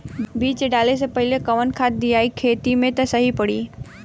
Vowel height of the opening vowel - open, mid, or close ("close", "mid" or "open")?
close